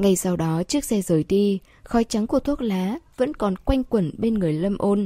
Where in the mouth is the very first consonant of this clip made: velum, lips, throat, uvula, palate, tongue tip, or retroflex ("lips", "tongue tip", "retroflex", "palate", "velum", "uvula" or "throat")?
velum